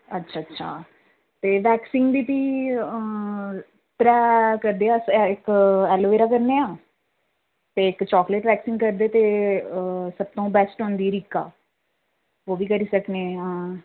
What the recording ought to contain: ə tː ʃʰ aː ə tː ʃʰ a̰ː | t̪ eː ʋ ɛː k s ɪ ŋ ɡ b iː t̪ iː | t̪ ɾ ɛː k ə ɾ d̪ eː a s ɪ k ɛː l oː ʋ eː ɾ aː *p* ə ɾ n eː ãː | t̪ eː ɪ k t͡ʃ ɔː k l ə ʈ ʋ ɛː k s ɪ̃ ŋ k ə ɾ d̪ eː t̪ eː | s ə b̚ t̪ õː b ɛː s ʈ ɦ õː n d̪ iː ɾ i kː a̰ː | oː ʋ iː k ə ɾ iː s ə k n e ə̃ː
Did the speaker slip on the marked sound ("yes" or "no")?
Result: yes